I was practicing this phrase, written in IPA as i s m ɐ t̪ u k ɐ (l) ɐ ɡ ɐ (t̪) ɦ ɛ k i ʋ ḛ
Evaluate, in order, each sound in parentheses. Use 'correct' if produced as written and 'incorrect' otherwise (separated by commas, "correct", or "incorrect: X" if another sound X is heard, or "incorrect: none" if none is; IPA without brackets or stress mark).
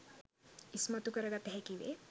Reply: incorrect: ɾ, correct